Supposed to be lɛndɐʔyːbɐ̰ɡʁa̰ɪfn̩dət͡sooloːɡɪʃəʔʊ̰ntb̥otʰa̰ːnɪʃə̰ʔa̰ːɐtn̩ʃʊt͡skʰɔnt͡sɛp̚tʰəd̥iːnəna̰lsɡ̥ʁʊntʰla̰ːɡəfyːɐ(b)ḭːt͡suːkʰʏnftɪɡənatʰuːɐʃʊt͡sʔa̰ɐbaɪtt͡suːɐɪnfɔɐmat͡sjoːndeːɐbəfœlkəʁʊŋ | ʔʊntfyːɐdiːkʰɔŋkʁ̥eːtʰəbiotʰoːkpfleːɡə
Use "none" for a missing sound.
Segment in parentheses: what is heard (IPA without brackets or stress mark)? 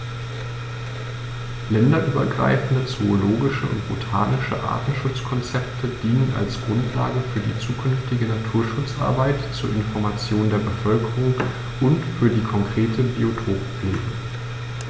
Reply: d